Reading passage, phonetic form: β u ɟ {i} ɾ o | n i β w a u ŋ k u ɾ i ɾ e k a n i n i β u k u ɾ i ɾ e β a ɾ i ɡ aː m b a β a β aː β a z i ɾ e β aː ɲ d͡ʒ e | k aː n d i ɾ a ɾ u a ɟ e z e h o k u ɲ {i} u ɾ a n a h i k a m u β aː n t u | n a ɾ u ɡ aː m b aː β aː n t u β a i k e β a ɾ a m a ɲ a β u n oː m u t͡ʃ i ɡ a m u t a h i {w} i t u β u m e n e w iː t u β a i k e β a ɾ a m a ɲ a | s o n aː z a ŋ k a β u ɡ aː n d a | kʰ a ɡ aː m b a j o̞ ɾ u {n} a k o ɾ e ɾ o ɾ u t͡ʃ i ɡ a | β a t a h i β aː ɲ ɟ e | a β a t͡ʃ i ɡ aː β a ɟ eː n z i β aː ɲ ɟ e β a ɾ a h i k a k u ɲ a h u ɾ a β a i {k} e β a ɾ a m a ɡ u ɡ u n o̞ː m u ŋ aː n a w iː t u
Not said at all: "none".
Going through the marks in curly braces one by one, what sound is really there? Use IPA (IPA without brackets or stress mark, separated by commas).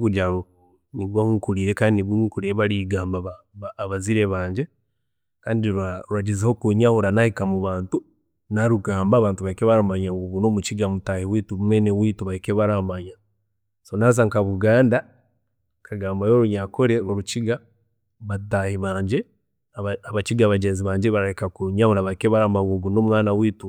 a, a, w, ɲ, k